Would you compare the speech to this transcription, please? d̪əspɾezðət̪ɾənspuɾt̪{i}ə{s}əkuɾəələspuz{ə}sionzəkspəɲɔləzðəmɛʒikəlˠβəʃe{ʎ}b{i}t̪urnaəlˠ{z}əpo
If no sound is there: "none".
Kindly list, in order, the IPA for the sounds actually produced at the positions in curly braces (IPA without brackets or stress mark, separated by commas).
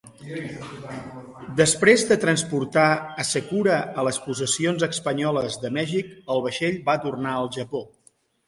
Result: a, s, ə, ʎ, a, ʒ